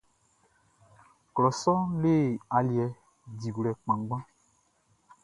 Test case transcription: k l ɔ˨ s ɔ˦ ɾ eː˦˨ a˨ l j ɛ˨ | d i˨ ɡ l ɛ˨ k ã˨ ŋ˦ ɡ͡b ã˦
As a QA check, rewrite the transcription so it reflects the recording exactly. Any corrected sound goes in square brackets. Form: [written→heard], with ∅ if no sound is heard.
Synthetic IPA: k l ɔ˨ s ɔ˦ [ɾ→l] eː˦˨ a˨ l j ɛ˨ | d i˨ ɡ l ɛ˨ [k→k͡p] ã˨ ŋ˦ ɡ͡b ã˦